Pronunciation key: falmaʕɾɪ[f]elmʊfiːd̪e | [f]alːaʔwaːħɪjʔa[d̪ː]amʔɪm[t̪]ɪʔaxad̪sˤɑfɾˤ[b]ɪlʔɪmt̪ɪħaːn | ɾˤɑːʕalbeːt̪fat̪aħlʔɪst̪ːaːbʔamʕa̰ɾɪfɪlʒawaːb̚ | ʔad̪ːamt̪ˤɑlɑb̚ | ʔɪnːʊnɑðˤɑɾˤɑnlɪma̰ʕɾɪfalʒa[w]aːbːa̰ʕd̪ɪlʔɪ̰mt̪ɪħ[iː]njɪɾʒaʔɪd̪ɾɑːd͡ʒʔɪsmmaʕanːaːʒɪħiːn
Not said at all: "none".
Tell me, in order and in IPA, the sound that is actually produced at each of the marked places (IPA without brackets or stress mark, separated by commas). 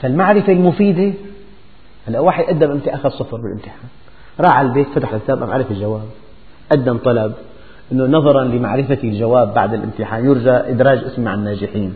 f, h, d̪ː, t̪, b, w, aː